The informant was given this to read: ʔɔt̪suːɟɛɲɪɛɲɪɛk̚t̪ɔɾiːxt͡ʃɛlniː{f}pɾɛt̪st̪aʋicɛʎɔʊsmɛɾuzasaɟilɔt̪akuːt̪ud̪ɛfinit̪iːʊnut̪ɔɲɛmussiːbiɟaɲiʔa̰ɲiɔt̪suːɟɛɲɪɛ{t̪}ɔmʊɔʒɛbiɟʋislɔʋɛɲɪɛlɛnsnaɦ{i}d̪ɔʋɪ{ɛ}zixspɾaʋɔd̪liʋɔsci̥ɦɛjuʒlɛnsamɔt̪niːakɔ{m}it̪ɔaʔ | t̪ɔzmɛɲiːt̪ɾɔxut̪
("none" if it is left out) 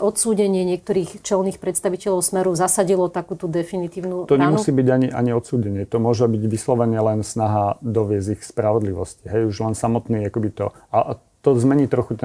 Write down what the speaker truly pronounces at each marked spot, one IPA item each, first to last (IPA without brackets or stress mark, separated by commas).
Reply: x, t̪, a, ɛ, b